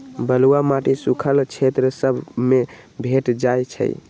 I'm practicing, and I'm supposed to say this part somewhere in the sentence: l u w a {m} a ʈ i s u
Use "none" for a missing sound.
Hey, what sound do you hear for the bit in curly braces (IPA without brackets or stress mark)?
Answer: m